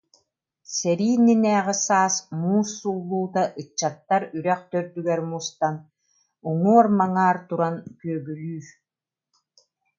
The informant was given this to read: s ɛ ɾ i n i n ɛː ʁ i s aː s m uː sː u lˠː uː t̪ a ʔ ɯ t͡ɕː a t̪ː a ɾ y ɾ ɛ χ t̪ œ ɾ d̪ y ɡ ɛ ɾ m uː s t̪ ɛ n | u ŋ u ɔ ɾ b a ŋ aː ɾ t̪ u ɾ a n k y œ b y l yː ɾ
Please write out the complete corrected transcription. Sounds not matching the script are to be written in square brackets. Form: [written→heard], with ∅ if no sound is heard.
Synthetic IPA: s ɛ ɾ [i→iː] n i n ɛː ʁ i s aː s m uː sː u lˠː uː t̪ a ʔ ɯ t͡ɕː a t̪ː a ɾ y ɾ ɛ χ t̪ œ ɾ d̪ y ɡ ɛ ɾ m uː s t̪ [ɛ→a] n | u ŋ u ɔ ɾ [b→m] a ŋ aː ɾ t̪ u ɾ a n k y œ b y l yː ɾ